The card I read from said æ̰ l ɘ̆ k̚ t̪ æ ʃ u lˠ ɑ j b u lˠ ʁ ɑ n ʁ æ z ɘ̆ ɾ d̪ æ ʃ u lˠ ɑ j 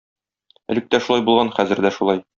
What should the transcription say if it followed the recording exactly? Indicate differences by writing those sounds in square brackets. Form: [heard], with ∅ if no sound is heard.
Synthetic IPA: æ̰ l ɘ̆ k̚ t̪ æ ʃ u lˠ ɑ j b u lˠ ʁ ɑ n [χ] æ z ɘ̆ ɾ d̪ æ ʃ u lˠ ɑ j

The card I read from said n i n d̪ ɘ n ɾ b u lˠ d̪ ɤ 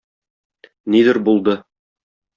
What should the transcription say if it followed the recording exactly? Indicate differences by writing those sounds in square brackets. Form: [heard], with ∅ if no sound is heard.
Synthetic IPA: n i [∅] d̪ ɘ [∅] ɾ b u lˠ d̪ ɤ

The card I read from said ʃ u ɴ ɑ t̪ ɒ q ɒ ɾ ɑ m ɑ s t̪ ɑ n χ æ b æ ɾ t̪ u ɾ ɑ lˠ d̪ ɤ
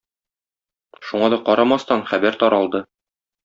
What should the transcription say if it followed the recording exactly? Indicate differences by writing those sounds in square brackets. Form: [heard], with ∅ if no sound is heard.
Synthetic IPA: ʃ u ɴ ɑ [d̪] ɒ q ɒ ɾ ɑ m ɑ s t̪ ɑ n χ æ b æ ɾ t̪ [ɒ] ɾ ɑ lˠ d̪ ɤ

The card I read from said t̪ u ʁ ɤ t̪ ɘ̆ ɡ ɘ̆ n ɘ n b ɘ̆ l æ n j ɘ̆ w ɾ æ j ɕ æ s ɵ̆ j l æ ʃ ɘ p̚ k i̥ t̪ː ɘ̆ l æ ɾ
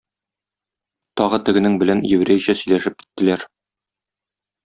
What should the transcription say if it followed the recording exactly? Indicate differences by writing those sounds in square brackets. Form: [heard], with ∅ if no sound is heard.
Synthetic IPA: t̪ [ɒ] ʁ ɤ t̪ ɘ̆ ɡ ɘ̆ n ɘ [ŋ] b ɘ̆ l æ n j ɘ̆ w ɾ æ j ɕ æ s ɵ̆ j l æ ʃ ɘ p̚ k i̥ t̪ː ɘ̆ l æ ɾ

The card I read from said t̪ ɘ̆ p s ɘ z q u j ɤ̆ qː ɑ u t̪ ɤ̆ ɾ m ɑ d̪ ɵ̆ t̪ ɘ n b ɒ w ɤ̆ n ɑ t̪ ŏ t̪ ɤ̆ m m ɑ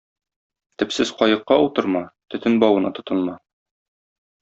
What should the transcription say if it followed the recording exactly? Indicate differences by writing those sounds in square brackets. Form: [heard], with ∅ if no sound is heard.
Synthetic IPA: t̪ ɘ̆ p s ɘ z q [ɒ] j ɤ̆ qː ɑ u t̪ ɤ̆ ɾ m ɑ [t̪] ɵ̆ t̪ ɘ n b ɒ w ɤ̆ n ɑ t̪ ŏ t̪ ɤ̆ [n] m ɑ

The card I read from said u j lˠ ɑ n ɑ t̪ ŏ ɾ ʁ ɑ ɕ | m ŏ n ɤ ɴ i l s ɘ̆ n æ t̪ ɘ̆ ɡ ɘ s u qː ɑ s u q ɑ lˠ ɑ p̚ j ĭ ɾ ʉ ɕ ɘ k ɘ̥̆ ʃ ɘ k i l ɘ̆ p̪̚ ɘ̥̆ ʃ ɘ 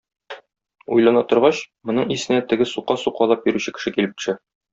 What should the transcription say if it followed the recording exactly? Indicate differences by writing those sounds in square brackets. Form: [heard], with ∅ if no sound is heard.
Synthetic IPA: u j lˠ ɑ n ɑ t̪ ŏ ɾ ʁ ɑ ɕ | m ŏ n ɤ ɴ i [∅] s ɘ̆ n æ t̪ ɘ̆ ɡ ɘ s u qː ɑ s u q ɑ lˠ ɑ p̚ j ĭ ɾ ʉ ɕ ɘ k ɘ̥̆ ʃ ɘ k i l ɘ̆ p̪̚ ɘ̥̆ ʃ ɘ

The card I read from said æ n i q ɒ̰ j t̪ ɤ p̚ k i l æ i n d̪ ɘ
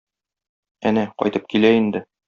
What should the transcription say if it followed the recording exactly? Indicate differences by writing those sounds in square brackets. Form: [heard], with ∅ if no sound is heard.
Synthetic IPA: æ n [æ] q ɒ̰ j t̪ ɤ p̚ k i l æ i n d̪ ɘ

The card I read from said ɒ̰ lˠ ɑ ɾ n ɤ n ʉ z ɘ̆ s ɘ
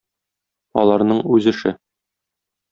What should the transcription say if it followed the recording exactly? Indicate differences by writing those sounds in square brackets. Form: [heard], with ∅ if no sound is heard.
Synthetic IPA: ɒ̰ lˠ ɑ ɾ n ɤ [ɴ] ʉ z ɘ̆ [ʃ] ɘ

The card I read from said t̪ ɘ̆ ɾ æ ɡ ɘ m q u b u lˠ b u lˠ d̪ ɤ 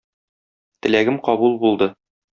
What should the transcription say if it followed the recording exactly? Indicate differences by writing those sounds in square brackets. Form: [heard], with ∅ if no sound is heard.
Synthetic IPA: t̪ ɘ̆ [l] æ ɡ ɘ m q [ɒ] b u lˠ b u lˠ d̪ ɤ

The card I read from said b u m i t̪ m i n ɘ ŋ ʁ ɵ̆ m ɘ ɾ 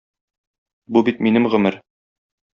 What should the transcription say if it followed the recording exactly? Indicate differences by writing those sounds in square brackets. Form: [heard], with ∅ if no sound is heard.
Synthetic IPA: b u [b] i t̪ m i n ɘ [m] ʁ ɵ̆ m ɘ ɾ

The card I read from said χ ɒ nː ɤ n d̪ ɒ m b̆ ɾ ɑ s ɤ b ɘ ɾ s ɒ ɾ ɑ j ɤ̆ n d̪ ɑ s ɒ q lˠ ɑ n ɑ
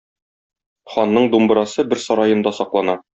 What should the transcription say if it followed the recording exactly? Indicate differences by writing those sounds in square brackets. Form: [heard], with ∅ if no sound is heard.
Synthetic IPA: χ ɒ nː ɤ [ɴ] d̪ [u] m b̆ ɾ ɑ s ɤ b ɘ ɾ s ɒ ɾ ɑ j ɤ̆ n d̪ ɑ s ɒ q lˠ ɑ n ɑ

